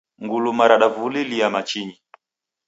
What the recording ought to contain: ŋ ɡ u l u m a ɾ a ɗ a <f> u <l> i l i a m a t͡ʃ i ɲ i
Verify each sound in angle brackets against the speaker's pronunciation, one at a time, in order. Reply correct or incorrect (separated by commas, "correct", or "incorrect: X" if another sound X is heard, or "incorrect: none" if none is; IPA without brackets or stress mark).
incorrect: v, correct